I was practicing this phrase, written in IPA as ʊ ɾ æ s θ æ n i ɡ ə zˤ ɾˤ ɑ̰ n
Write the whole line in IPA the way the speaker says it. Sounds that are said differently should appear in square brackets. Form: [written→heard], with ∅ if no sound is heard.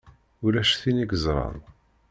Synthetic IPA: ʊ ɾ æ [s→ʃ] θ [æ→i] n i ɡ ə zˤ ɾˤ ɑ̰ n